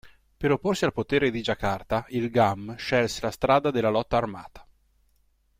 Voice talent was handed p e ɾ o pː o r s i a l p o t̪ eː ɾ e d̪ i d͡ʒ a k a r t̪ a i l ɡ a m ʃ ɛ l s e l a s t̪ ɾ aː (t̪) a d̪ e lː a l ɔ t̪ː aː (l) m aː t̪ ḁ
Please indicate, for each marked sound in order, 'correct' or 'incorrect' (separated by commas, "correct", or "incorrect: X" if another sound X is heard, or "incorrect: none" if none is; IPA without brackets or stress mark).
incorrect: d̪, incorrect: r